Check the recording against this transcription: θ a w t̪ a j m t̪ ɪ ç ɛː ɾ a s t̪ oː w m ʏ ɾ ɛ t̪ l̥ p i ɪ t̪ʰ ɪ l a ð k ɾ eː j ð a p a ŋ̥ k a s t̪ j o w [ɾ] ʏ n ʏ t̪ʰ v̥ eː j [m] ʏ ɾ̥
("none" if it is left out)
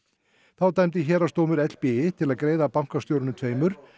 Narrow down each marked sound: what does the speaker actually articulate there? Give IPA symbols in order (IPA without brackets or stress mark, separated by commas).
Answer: ɾ, m